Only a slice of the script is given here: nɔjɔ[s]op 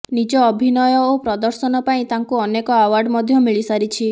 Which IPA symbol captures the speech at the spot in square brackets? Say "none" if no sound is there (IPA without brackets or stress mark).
none